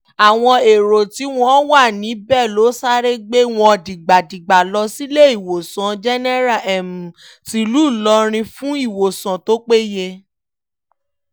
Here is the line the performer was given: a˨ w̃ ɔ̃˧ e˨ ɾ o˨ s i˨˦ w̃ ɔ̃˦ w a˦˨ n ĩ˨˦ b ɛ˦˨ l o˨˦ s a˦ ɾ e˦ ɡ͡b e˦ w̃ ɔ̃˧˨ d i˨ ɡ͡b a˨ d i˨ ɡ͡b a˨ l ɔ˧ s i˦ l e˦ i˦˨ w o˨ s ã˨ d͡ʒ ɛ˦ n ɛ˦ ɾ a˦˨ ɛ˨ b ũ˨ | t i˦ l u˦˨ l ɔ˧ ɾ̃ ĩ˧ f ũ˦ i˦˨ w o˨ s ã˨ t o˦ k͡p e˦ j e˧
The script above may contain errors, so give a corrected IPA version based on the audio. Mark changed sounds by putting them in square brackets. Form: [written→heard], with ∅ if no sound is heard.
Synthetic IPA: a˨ w̃ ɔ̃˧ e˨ ɾ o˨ [s→t] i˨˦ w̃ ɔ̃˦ w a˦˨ n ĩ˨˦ b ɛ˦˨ l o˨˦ s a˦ ɾ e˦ ɡ͡b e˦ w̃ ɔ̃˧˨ d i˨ ɡ͡b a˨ d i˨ ɡ͡b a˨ l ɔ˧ s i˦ l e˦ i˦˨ w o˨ s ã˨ d͡ʒ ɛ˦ n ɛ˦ ɾ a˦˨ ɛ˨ [b→m] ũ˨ | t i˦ l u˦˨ l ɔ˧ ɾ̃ ĩ˧ f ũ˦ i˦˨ w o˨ s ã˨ t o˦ k͡p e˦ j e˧

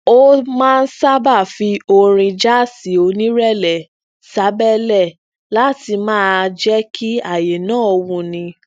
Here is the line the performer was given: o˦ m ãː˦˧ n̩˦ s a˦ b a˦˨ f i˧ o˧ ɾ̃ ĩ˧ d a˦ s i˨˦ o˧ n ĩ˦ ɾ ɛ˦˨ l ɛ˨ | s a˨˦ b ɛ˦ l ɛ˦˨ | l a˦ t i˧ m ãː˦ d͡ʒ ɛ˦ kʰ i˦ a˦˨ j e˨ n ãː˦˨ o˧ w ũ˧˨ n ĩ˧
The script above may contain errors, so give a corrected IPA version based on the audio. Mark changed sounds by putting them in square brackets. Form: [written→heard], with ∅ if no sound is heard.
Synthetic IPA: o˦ m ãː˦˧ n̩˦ s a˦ b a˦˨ f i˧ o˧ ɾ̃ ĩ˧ [d→d͡ʒ] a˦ s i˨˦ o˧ n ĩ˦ ɾ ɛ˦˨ l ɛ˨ | s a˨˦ b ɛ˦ l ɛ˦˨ | l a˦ t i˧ m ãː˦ d͡ʒ ɛ˦ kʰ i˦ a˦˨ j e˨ n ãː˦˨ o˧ w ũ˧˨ n ĩ˧

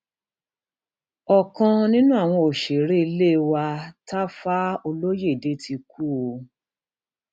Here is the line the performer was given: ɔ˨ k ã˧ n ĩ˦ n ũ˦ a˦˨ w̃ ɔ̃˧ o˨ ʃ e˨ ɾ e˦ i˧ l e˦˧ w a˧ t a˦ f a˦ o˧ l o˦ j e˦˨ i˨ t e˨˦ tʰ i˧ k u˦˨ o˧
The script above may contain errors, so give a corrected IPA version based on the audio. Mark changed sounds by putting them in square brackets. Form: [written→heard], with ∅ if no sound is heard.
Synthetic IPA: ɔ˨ k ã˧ n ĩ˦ n ũ˦ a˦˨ w̃ ɔ̃˧ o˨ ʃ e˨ ɾ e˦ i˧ l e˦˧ w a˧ t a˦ f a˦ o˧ l o˦ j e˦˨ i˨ [t→d] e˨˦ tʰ i˧ k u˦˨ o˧

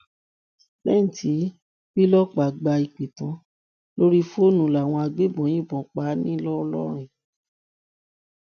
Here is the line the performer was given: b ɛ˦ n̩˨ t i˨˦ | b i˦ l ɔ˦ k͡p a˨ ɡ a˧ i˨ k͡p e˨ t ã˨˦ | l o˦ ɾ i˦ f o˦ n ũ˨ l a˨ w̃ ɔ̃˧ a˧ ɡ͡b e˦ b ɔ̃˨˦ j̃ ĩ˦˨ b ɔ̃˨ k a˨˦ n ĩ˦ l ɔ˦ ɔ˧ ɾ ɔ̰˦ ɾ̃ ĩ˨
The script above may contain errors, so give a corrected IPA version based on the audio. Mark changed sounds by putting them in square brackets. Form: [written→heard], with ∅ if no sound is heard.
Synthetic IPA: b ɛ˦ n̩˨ t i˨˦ | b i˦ l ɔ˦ k͡p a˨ [ɡ→ɡ͡b] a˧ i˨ k͡p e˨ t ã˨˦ | l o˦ ɾ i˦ f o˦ n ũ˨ l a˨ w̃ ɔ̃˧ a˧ ɡ͡b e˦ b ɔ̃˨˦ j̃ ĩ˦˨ b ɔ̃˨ [k→k͡p] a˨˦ n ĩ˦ l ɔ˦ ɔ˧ [ɾ→l] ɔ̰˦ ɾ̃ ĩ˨

